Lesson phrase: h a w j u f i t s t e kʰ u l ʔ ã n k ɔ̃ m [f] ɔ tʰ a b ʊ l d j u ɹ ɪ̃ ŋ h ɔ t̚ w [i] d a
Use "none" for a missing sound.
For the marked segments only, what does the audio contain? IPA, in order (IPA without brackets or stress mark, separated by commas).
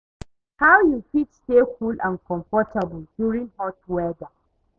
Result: f, ɛ